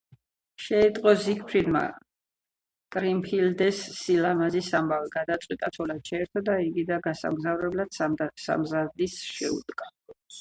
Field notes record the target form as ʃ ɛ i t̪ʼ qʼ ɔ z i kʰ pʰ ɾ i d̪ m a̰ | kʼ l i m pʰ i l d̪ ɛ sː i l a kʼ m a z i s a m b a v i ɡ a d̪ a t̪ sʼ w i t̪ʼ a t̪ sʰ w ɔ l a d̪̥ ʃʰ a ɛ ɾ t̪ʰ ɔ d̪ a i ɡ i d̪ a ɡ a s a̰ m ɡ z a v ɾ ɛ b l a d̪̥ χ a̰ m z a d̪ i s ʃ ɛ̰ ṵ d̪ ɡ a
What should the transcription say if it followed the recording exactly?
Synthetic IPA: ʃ ɛ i t̪ʼ qʼ ɔ z i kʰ pʰ ɾ i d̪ m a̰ | kʼ ɾ i m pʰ i l d̪ ɛ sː i l a m a z i s a m b a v i ɡ a d̪ a t̪ sʼ w i t̪ʼ a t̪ sʰ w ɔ l a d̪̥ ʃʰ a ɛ ɾ t̪ʰ ɔ d̪ a i ɡ i d̪ a ɡ a s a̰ m ɡ z a v ɾ ɛ b l a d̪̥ s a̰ m z a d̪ i s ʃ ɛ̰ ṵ d̪ ɡ a